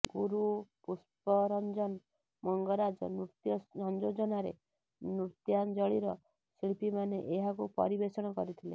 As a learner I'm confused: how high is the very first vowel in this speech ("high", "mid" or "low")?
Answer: high